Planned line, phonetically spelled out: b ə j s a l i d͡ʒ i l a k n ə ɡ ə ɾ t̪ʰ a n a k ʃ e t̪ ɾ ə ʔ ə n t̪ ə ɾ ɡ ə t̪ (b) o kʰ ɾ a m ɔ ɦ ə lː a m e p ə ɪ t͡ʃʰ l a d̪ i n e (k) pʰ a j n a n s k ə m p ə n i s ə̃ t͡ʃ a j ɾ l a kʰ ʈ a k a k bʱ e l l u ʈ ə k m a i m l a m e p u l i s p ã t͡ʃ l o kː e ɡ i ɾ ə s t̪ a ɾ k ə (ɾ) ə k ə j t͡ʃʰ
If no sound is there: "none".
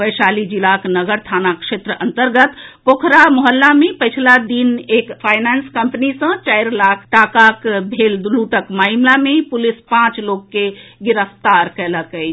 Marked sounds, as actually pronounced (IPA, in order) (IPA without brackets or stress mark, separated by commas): p, k, l